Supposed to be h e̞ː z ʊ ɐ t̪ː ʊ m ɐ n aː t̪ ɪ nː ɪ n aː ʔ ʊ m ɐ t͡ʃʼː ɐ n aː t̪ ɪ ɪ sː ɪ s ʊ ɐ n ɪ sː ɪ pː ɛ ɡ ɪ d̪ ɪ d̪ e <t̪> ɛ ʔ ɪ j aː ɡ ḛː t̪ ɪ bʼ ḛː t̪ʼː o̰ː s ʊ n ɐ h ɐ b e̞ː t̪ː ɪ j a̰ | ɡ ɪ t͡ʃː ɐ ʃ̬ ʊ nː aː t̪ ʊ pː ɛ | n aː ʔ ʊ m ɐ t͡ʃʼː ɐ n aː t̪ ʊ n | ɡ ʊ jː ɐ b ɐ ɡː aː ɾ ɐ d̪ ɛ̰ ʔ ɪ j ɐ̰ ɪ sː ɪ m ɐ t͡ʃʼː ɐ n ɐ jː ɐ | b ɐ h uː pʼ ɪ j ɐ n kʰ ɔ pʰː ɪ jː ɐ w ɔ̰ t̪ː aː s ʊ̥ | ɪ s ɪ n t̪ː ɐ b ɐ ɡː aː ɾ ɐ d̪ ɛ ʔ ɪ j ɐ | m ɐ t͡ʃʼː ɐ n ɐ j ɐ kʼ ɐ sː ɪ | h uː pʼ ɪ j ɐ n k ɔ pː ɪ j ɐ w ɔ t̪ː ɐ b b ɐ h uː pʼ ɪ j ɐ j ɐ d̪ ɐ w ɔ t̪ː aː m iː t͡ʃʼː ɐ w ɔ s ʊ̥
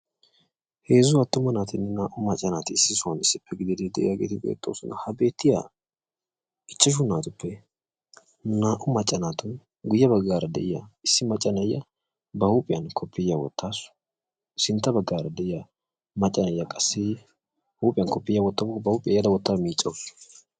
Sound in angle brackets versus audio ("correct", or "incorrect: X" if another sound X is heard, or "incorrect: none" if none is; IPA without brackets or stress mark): incorrect: d̪